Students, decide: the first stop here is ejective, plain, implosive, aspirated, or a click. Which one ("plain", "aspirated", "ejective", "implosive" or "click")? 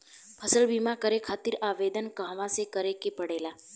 aspirated